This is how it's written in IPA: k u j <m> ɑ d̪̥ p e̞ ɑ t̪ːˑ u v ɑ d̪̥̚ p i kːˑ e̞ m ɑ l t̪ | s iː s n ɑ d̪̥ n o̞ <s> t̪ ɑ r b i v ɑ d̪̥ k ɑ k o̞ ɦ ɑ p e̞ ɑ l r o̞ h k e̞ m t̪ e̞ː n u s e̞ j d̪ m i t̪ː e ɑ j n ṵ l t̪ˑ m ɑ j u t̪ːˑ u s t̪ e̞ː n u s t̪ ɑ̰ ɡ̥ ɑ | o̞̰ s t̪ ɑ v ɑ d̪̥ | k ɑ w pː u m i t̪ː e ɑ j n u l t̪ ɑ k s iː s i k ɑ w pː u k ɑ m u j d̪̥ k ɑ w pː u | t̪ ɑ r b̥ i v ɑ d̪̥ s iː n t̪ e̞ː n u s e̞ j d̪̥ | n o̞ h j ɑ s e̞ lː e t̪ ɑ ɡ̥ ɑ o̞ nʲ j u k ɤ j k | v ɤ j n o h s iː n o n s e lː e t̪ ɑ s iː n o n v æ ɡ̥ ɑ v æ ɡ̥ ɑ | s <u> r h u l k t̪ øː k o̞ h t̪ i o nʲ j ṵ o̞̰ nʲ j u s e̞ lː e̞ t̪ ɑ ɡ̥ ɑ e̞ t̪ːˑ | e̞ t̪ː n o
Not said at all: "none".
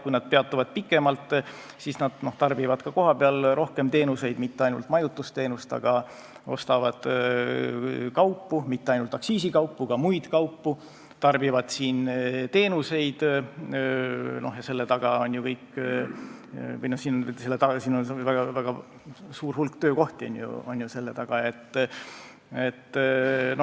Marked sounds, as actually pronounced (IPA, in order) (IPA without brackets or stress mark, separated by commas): n, h, uː